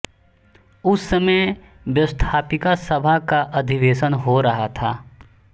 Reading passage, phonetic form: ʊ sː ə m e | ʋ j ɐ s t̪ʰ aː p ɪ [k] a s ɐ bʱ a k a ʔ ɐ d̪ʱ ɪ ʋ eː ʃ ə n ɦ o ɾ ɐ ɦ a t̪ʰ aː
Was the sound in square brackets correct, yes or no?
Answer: yes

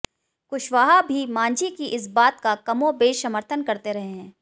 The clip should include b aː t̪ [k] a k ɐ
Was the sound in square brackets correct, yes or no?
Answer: yes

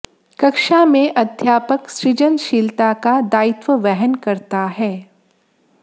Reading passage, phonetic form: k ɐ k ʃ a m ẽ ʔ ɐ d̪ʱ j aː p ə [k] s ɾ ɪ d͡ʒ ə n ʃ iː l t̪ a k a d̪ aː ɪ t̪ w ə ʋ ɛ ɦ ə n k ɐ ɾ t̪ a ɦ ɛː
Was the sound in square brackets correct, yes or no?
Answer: yes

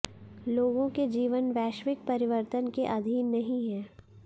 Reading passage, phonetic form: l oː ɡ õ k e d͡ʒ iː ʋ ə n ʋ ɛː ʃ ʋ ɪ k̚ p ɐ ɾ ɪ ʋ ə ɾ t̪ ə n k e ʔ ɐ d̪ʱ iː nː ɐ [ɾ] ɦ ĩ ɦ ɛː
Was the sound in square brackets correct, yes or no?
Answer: no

